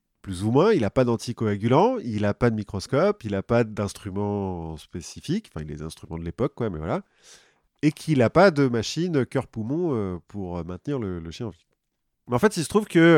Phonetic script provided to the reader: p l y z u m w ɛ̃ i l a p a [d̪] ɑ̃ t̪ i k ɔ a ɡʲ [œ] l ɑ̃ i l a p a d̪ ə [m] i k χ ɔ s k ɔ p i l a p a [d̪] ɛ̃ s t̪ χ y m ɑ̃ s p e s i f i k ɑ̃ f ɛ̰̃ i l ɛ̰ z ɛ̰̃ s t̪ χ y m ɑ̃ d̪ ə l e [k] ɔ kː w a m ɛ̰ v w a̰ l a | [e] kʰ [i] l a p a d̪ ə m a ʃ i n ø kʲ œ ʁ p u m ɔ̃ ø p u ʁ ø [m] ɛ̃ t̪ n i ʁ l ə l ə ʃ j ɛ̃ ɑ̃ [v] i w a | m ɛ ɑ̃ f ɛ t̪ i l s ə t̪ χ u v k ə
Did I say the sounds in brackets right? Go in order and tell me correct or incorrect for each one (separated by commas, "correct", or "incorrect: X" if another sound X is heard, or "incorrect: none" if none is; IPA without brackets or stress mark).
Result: correct, incorrect: y, correct, correct, incorrect: p, correct, correct, correct, correct